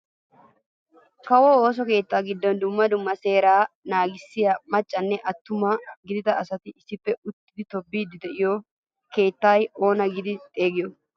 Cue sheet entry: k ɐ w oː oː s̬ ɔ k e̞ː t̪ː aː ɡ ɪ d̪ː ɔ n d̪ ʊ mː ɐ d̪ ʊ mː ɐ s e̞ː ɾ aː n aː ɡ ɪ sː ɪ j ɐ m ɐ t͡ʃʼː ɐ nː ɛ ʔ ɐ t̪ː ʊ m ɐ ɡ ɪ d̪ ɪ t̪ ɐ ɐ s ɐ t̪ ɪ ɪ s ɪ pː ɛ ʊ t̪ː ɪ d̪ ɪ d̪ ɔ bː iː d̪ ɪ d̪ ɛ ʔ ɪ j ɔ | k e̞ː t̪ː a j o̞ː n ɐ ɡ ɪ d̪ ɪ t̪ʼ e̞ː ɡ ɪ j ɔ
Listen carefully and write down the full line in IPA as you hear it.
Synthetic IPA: k ɐ w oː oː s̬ ɔ k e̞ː t̪ː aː ɡ ɪ d̪ː ɔ n d̪ ʊ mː ɐ d̪ ʊ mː ɐ s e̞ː ɾ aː n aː ɡ ɪ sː ɪ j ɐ m ɐ t͡ʃʼː ɐ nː ɛ ʔ ɐ t̪ː ʊ m ɐ ɡ ɪ d̪ ɪ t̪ ɐ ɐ s ɐ t̪ ɪ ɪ s ɪ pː ɛ ʊ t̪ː ɪ d̪ ɪ t̪ ɔ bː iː d̪ ɪ d̪ ɛ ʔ ɪ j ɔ | k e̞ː t̪ː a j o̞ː n ɐ ɡ ɪ d̪ ɪ t̪ʼ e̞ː ɡ ɪ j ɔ